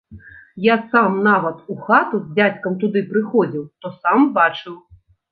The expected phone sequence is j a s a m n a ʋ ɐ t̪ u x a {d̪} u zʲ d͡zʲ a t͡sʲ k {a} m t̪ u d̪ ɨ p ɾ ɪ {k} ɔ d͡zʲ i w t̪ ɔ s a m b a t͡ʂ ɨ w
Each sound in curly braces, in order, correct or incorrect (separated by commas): incorrect, incorrect, incorrect